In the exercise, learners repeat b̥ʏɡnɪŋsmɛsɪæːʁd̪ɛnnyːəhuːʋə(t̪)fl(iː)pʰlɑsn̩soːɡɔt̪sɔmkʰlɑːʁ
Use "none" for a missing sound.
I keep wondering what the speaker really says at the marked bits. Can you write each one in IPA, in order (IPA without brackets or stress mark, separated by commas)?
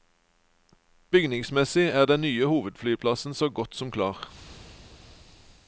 d̪, yː